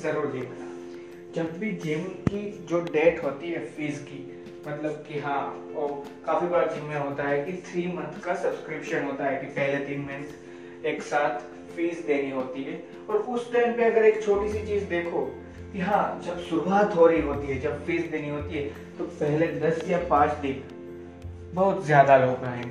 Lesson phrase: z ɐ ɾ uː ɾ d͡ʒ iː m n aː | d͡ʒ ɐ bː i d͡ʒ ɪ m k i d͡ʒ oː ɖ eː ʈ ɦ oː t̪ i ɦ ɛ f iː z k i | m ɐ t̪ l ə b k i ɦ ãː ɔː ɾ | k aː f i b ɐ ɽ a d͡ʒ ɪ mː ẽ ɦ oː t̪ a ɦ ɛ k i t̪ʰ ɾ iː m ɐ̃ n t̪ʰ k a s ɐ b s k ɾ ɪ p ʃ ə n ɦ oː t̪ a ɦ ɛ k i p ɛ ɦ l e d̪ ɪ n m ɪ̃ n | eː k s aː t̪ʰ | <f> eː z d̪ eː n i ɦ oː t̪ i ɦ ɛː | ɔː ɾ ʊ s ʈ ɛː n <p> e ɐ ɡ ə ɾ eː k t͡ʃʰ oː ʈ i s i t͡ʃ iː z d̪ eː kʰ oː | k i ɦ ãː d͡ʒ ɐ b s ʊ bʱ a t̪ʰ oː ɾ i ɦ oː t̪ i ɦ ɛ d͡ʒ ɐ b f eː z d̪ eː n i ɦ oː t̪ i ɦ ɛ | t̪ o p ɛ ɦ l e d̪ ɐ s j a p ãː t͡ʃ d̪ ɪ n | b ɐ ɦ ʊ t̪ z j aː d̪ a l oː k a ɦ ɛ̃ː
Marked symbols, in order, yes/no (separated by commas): yes, yes